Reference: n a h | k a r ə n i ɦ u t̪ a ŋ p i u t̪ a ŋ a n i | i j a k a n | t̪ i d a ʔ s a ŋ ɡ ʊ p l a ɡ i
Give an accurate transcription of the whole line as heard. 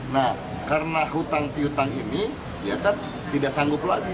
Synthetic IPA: n a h | k a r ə n a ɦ u t̪ a ŋ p i u t̪ a ŋ i n i | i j a k a n | t̪ i d a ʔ s a ŋ ɡ ʊ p l a ɡ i